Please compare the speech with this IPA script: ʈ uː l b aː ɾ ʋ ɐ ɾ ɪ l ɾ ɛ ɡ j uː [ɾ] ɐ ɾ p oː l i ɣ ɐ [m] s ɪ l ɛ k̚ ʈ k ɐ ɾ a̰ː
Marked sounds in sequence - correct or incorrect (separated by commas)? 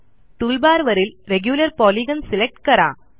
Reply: incorrect, incorrect